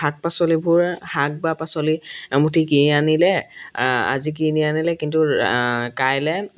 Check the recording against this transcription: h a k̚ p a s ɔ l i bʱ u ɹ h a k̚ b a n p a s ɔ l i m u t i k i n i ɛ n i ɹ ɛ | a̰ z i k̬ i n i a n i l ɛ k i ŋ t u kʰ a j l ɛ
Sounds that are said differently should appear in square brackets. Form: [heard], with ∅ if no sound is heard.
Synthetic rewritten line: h a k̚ p a s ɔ l i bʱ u ɹ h a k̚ b a [∅] p a s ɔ l i m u t i k i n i [a] n i [l] ɛ | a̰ z i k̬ i n i a n i l ɛ k i [n] t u [k] a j l ɛ